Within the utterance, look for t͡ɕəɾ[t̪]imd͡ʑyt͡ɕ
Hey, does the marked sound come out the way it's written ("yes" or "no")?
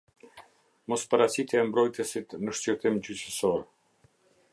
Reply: yes